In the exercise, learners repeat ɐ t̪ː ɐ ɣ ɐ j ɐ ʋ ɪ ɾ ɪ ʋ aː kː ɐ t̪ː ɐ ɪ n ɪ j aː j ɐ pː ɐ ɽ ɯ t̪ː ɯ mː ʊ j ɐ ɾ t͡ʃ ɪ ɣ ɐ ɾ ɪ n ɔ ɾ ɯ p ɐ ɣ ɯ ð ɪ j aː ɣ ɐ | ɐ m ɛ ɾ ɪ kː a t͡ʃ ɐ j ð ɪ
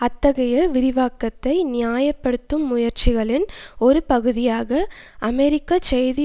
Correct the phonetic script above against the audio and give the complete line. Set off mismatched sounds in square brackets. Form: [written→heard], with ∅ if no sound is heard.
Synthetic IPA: ɐ t̪ː ɐ ɣ ɐ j ɐ ʋ ɪ ɾ ɪ ʋ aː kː ɐ t̪ː ɐ ɪ n ɪ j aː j ɐ pː ɐ ɽ ɯ t̪ː ɯ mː ʊ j ɐ ɾ t͡ʃ ɪ ɣ ɐ [ɾ→ɭ] ɪ n ɔ ɾ ɯ p ɐ ɣ ɯ ð ɪ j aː ɣ ɐ | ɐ m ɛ ɾ ɪ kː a t͡ʃ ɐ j ð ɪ